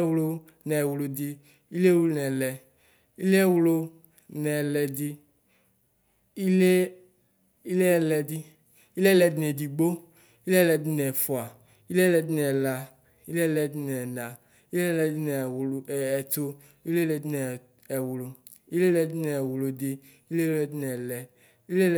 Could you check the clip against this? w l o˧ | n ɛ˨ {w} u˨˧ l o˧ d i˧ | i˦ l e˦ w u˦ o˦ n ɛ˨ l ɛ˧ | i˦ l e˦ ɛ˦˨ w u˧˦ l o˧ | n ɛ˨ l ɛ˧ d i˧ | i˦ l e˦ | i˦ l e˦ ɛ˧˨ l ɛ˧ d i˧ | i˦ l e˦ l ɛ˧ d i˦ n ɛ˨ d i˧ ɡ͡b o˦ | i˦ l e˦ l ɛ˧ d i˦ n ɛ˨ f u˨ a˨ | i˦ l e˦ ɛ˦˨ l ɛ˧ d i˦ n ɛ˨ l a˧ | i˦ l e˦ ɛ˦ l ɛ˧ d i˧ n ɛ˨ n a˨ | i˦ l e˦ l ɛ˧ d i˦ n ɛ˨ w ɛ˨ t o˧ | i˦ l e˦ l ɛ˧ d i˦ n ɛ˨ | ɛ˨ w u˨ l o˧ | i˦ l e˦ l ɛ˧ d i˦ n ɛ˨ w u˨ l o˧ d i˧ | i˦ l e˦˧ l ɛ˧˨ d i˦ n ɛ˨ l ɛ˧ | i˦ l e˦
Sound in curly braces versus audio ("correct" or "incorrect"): correct